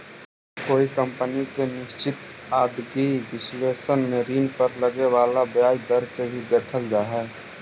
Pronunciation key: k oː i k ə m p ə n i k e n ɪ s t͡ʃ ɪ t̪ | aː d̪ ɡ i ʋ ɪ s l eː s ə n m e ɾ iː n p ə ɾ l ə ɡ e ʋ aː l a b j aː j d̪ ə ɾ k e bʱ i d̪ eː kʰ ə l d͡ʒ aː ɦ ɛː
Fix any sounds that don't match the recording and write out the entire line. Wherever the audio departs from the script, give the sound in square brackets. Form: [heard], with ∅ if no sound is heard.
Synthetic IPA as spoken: k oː i k ə m p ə n i k e n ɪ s t͡ʃ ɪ t̪ | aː d̪ ɡ i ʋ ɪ s l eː s ə n m e ɾ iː n p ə ɾ l ə ɡ e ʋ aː l a b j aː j d̪ ə ɾ k e bʱ i d̪ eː kʰ ə l d͡ʒ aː ɦ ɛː